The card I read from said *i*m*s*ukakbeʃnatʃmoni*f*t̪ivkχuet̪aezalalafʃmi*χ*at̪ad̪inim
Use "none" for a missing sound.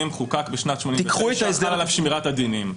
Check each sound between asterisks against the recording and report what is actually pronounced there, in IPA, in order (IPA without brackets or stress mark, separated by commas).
i, χ, none, ʁ